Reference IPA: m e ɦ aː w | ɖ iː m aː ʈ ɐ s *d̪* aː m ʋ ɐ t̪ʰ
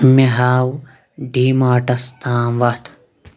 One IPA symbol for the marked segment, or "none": t̪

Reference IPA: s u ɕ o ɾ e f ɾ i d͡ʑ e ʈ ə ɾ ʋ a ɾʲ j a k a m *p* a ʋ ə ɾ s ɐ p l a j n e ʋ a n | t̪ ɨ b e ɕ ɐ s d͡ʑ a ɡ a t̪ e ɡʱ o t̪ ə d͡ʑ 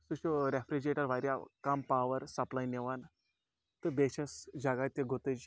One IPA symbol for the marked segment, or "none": p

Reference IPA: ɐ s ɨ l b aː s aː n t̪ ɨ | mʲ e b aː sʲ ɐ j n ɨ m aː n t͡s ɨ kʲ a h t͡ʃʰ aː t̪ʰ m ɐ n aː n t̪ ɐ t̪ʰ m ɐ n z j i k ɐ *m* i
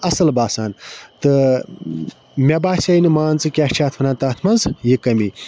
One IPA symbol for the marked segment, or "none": m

